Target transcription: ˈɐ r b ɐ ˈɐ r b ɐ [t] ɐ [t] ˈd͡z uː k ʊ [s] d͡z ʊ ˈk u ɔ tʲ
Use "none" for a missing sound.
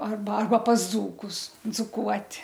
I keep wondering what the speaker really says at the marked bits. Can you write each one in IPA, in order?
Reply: p, s, s

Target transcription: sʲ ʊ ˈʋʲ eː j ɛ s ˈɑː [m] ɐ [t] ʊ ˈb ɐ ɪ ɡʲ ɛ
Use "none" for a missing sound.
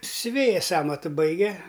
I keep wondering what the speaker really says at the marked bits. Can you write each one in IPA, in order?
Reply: m, t

